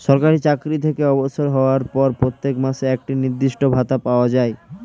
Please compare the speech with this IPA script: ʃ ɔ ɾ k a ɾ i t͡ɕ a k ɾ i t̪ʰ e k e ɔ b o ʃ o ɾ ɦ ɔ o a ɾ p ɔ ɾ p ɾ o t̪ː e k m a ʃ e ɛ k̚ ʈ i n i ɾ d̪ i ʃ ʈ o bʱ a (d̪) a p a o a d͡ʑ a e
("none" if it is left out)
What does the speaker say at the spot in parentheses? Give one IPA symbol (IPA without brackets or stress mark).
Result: t̪